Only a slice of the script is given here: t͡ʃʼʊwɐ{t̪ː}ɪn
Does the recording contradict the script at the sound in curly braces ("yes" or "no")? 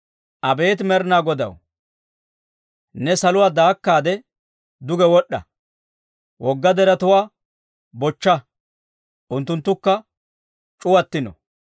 no